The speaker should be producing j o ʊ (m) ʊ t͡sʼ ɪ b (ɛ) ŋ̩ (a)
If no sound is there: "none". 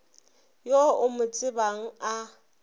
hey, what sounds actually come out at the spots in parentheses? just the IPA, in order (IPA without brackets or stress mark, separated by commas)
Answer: m, a, a